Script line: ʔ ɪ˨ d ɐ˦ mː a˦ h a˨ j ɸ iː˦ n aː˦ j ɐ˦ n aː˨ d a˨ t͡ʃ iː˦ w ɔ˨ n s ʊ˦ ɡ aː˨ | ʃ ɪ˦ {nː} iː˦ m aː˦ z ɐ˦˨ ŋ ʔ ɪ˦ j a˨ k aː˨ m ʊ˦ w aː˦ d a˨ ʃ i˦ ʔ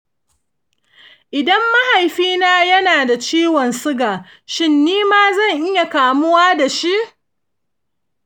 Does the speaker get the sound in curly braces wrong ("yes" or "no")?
no